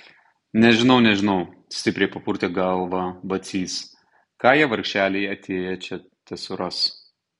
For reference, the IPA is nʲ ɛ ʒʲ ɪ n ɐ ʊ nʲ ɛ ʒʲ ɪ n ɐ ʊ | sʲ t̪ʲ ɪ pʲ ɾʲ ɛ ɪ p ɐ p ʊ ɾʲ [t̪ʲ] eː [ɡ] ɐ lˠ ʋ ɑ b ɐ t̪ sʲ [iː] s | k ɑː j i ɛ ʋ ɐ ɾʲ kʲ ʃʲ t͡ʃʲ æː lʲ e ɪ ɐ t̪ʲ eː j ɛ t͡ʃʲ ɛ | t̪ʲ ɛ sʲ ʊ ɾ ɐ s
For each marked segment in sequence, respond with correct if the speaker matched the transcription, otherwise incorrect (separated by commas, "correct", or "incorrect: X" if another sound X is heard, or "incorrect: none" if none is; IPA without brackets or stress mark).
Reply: correct, correct, correct